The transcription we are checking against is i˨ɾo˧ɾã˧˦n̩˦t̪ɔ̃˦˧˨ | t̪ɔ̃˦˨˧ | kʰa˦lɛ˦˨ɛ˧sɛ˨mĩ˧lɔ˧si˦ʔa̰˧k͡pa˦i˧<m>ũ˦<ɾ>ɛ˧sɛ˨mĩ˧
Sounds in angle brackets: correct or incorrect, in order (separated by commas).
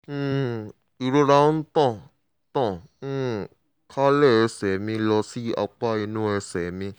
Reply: incorrect, incorrect